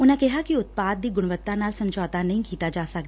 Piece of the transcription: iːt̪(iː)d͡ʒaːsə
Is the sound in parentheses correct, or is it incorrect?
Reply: incorrect